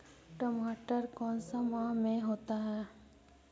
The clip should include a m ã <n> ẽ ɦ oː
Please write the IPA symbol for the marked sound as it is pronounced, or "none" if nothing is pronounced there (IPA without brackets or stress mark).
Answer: m